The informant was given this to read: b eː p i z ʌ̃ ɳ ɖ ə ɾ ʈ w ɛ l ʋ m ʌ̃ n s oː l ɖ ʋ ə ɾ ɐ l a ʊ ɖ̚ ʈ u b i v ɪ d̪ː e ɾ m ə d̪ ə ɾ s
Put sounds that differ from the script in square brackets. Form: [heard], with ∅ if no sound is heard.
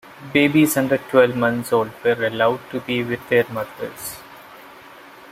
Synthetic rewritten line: b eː [b] i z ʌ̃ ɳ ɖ ə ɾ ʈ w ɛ l ʋ m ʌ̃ n s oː l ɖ ʋ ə ɾ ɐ l a ʊ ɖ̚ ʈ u b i [ʋ] ɪ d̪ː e ɾ m [ʌ] d̪ ə ɾ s